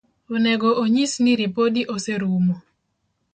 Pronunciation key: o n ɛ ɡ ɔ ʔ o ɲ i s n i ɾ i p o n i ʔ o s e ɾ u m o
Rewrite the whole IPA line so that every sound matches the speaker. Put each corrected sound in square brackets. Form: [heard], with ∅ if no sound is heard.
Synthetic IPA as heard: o n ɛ ɡ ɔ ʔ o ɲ i s n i ɾ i p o [d] i ʔ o s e ɾ u m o